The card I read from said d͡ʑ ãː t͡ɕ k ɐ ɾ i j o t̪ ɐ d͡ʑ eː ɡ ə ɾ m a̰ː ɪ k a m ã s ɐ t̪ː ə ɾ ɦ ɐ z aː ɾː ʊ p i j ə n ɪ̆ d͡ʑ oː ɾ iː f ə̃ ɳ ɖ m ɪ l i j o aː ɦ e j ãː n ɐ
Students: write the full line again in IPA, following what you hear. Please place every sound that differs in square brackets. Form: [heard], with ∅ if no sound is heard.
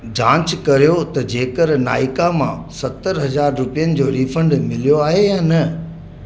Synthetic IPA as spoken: d͡ʑ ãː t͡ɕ k ɐ ɾ i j o t̪ ɐ d͡ʑ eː [k] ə ɾ [n] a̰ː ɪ k a m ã s ɐ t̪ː ə ɾ ɦ ɐ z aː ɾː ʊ p i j ə n ɪ̆ d͡ʑ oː ɾ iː f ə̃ ɳ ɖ m ɪ l i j o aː ɦ e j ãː n ɐ